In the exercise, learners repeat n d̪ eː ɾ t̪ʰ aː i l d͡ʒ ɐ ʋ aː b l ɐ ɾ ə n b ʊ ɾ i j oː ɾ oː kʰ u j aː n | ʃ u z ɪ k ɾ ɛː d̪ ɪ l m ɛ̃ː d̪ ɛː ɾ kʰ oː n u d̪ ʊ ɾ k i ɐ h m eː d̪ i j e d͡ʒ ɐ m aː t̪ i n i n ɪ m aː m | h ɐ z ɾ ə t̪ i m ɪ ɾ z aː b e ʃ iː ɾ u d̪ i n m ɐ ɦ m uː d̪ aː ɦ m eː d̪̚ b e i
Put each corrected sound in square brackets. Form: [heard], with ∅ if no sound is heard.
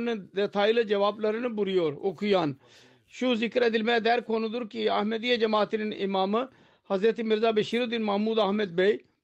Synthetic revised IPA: n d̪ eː [∅] t̪ʰ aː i l d͡ʒ ɐ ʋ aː b l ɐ ɾ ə n b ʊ ɾ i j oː ɾ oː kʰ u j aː n | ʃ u z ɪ k ɾ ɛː d̪ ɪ l m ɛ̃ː d̪ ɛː ɾ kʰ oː n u d̪ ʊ ɾ k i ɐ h m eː d̪ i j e d͡ʒ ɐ m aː t̪ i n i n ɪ m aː m | h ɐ z ɾ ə t̪ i m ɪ ɾ z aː b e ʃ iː ɾ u d̪ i n m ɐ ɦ m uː d̪ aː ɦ m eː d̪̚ b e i